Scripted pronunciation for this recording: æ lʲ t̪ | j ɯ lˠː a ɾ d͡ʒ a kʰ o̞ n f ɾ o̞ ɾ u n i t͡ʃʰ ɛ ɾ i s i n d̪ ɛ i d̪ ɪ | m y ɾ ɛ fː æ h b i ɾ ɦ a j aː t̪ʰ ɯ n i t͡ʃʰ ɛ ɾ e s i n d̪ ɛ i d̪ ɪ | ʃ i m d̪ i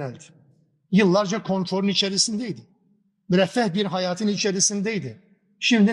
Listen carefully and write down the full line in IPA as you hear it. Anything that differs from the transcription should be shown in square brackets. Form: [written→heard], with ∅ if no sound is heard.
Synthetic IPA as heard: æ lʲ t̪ | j ɯ lˠː a ɾ d͡ʒ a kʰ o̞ n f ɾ o̞ ɾ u n i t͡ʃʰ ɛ ɾ i s i n d̪ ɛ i d̪ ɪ | m y ɾ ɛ fː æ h b i ɾ ɦ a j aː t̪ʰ ɯ n i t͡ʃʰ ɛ ɾ [e→i] s i n d̪ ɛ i d̪ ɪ | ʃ i m d̪ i